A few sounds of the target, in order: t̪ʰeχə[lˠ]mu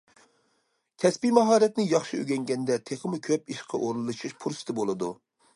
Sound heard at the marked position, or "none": none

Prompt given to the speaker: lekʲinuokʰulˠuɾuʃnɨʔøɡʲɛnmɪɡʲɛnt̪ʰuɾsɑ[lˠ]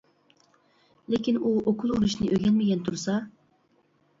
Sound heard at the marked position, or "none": none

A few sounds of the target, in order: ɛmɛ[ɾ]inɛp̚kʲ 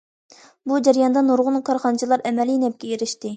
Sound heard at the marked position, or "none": l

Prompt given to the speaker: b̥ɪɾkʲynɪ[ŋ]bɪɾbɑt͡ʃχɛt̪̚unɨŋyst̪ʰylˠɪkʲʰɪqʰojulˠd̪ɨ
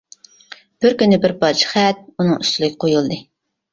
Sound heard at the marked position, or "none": none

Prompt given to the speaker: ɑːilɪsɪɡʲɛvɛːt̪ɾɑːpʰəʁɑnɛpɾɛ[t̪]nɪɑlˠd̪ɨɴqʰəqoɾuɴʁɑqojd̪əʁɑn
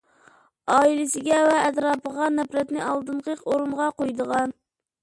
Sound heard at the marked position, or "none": t̪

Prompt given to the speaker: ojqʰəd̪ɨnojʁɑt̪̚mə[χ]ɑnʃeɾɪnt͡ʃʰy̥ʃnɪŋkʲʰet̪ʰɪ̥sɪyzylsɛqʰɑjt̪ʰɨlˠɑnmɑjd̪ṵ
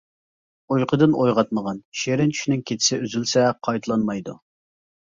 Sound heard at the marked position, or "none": ʁ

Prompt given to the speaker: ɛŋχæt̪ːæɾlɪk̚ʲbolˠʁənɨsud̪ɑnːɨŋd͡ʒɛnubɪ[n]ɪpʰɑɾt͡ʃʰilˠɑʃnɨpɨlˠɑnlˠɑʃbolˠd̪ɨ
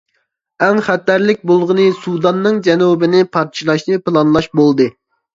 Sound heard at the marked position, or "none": n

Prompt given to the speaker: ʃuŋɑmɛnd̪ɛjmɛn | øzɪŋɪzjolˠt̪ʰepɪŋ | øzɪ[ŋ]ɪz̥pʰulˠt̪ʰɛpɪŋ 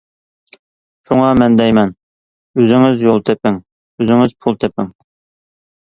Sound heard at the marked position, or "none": ŋ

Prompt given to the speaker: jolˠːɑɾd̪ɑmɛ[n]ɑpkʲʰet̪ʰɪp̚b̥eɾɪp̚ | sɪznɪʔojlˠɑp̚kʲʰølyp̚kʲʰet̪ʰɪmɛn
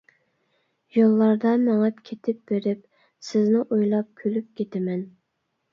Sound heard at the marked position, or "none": ŋ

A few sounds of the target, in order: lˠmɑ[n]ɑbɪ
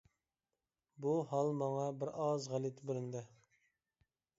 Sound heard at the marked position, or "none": ŋ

